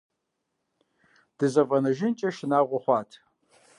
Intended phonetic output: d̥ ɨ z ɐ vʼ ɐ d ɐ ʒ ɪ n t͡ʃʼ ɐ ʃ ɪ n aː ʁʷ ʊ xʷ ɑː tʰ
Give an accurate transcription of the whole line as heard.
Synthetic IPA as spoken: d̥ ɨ z ɐ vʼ ɐ n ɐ ʒ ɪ n t͡ʃʼ ɐ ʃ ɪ n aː ʁʷ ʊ χʷ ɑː tʰ